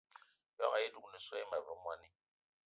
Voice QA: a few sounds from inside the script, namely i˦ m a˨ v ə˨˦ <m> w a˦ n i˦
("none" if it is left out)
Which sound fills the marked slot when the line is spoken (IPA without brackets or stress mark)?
m